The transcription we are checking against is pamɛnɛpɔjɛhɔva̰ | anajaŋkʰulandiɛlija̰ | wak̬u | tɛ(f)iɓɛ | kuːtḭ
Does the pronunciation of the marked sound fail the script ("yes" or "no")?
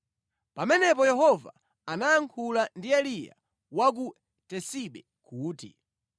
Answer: yes